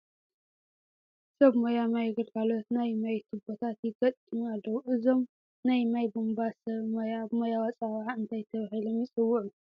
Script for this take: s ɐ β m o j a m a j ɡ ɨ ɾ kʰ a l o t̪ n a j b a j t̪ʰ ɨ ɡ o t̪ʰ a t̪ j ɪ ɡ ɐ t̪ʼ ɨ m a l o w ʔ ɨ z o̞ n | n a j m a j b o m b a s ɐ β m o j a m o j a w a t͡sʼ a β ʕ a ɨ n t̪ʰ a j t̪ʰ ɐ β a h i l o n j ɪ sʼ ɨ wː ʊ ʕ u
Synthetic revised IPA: s ɐ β m o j a m a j ɡ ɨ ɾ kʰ a l o t̪ n a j m a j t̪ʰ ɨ b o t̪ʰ a t̪ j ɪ ɡ ɐ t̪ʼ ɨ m a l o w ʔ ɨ z o̞ m | n a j m a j b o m b a s ɐ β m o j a m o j a w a t͡sʼ a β ʕ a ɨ n t̪ʰ a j t̪ʰ ɐ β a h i l o m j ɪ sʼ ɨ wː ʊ ʕ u